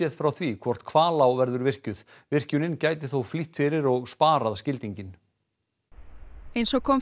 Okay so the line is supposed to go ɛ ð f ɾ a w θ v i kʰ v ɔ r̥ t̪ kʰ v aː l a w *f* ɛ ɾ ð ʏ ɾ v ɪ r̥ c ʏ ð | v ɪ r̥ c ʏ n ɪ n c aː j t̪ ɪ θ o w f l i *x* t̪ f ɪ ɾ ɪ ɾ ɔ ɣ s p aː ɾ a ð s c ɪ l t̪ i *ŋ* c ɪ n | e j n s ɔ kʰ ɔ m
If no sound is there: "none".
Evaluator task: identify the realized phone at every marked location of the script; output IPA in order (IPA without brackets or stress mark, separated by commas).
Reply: v, h, ɲ